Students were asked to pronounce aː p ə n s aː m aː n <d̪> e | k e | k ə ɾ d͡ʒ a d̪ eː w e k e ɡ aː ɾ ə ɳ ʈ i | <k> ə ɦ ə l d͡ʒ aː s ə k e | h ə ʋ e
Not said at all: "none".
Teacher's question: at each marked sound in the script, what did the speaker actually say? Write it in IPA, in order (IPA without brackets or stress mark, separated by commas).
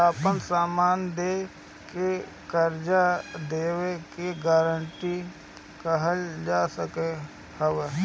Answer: d̪, k